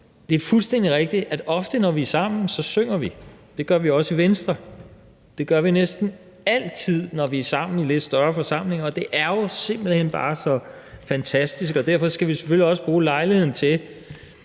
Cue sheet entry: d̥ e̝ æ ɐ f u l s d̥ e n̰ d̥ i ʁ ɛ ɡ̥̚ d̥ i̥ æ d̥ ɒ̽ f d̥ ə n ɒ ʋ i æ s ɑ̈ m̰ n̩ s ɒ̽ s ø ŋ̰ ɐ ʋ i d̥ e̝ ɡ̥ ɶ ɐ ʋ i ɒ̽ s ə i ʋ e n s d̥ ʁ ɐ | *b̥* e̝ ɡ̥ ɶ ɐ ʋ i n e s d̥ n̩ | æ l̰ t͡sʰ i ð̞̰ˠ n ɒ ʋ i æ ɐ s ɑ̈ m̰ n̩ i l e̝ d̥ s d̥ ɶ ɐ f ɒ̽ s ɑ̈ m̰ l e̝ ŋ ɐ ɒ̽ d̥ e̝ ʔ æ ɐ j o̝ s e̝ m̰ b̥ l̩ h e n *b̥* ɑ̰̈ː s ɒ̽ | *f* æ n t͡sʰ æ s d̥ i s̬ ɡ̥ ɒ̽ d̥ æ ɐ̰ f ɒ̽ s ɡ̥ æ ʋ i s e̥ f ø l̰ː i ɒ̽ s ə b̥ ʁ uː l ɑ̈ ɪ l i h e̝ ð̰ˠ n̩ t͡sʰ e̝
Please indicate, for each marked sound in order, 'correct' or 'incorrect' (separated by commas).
incorrect, correct, correct